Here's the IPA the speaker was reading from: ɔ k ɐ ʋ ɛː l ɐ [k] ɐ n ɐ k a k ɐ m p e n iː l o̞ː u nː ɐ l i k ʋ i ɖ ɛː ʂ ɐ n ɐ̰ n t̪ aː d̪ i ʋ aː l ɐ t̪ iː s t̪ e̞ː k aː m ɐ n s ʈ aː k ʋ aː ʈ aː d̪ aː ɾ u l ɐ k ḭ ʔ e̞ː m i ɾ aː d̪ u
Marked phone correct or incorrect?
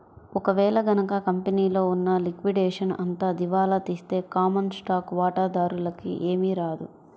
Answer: incorrect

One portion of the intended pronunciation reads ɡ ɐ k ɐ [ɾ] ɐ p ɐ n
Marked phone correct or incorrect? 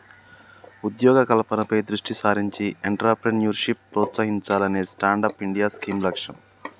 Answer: incorrect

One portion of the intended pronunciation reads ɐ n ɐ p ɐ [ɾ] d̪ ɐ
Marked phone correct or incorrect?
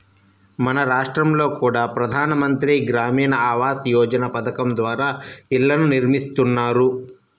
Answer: incorrect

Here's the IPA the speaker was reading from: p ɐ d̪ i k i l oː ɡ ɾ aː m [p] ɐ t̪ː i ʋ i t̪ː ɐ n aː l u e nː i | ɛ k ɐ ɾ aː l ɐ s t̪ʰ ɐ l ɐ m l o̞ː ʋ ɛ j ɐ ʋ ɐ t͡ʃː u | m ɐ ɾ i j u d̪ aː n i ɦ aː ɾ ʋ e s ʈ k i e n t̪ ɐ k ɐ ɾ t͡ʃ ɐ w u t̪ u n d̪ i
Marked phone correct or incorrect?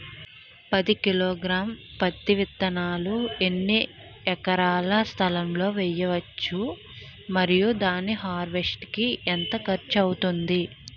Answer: correct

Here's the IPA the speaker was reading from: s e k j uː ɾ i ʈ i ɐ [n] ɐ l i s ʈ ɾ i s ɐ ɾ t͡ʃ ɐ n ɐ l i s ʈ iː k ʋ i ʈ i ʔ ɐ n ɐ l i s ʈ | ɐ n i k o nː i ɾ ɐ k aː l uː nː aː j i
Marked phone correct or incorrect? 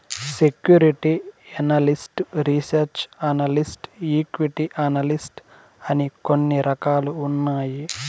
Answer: correct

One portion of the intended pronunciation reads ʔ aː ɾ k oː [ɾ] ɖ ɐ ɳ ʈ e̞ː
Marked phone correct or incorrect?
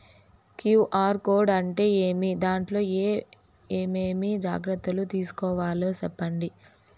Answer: correct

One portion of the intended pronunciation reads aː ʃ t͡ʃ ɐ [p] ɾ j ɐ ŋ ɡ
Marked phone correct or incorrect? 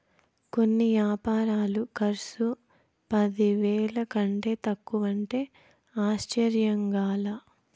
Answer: incorrect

